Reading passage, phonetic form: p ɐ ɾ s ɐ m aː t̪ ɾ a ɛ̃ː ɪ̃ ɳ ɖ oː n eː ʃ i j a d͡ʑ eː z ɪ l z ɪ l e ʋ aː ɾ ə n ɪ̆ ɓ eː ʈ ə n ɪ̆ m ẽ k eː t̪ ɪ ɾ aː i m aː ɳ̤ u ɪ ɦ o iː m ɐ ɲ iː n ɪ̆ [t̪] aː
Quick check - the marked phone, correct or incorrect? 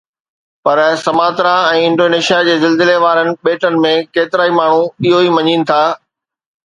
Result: incorrect